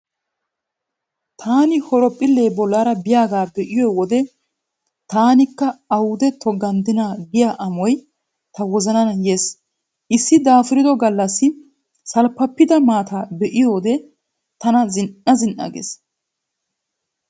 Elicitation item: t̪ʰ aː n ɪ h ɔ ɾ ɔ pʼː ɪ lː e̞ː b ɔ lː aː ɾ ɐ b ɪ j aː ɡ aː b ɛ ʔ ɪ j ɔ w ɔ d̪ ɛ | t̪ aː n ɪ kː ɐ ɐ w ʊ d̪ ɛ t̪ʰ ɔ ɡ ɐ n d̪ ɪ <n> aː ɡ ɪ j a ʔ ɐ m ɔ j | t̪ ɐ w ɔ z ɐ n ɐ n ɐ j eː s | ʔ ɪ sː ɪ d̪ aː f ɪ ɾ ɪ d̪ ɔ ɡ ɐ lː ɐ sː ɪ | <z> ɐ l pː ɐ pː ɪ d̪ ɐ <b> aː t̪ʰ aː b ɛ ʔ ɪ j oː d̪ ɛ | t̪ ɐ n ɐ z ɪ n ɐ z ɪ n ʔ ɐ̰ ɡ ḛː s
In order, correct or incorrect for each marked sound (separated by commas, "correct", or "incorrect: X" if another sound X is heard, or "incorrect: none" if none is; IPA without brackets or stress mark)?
correct, incorrect: s, incorrect: m